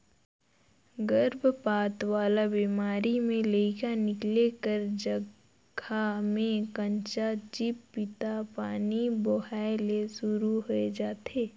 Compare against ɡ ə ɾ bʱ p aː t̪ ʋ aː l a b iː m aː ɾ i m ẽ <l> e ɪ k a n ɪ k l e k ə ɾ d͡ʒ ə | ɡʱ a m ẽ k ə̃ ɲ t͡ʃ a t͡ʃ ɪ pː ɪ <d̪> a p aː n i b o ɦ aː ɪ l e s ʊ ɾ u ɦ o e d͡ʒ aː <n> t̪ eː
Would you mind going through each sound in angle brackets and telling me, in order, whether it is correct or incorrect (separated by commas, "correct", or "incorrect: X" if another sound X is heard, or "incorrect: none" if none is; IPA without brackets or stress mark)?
correct, incorrect: t̪, incorrect: none